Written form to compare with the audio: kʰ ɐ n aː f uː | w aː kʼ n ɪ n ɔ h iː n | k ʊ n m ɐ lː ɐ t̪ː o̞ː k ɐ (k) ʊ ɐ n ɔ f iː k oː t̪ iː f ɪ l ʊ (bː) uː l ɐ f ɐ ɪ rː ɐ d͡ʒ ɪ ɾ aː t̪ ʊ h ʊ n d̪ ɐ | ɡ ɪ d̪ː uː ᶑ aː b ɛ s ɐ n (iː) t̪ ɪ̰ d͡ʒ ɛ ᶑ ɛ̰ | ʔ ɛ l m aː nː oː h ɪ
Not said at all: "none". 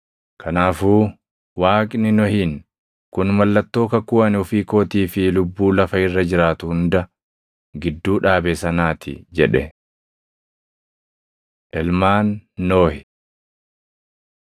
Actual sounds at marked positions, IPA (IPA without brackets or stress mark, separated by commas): k, bː, aː